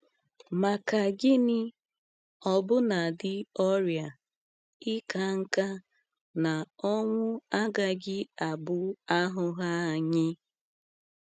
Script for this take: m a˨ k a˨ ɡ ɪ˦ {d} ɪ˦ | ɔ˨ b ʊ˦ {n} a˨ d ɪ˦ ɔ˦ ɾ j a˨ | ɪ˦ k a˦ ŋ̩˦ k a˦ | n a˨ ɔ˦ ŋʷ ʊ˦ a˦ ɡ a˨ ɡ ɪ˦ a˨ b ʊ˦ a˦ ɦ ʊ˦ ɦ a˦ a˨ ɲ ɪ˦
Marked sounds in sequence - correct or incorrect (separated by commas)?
incorrect, correct